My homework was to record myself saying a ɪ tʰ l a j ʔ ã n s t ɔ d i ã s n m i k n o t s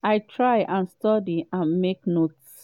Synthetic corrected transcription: a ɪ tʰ ɹ a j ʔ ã n s t ɔ d i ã n m e k n o t s